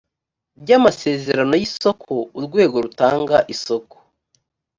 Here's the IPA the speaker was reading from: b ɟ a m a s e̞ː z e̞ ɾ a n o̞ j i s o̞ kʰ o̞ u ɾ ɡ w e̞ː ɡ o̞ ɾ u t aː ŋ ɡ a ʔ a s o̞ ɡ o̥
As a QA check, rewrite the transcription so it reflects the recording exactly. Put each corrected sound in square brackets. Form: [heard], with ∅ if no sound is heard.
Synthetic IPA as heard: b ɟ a m a s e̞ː z e̞ ɾ a n o̞ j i s o̞ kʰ o̞ u ɾ ɡ w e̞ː ɡ o̞ ɾ u t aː ŋ ɡ a ʔ [i] s o̞ [k] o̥